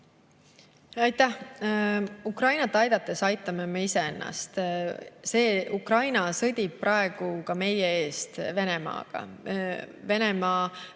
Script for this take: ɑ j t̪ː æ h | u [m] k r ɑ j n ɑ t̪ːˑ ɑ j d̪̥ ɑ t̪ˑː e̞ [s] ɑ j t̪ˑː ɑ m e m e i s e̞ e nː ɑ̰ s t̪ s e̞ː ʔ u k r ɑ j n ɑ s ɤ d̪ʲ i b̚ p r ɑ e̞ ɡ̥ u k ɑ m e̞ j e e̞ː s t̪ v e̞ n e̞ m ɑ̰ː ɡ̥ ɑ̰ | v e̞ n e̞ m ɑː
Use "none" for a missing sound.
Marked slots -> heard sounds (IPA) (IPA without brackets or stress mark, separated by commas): none, s